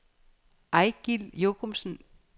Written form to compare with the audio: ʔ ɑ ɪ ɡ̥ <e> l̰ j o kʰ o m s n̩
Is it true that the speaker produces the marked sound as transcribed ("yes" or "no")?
no